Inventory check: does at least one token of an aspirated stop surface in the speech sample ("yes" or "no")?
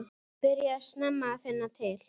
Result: yes